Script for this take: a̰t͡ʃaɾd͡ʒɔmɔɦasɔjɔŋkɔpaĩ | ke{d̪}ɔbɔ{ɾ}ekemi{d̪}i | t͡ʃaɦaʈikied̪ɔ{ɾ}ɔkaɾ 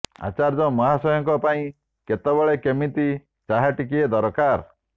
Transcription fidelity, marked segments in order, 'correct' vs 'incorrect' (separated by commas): incorrect, incorrect, incorrect, correct